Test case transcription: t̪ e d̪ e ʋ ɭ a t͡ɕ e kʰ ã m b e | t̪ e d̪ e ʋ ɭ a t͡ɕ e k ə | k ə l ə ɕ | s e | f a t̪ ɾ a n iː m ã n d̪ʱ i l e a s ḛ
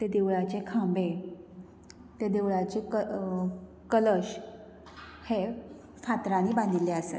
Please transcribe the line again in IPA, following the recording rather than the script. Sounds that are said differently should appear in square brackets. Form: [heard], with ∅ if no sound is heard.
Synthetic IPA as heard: t̪ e d̪ e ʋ ɭ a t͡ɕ e kʰ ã m b e | t̪ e d̪ e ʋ ɭ a t͡ɕ e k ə | k ə l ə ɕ | [h] e | f a t̪ ɾ a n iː [b] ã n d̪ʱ i l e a s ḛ